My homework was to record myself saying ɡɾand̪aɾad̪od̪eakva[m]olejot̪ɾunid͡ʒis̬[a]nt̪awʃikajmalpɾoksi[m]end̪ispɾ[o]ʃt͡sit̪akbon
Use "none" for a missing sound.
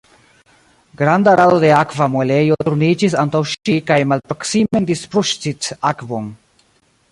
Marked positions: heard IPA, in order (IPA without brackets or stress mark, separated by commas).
m, a, m, u